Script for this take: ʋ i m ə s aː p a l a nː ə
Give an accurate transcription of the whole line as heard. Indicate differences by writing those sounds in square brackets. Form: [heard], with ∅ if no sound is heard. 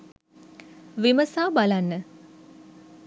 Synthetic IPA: ʋ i m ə s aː [b] a l a nː ə